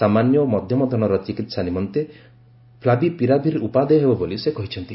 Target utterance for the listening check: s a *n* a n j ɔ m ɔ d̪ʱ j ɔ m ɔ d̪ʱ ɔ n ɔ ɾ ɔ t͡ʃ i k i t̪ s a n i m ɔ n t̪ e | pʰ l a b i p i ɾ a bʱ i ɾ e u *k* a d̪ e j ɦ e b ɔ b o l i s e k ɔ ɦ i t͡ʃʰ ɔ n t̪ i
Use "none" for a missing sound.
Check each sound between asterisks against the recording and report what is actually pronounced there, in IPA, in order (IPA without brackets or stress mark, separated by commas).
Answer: m, p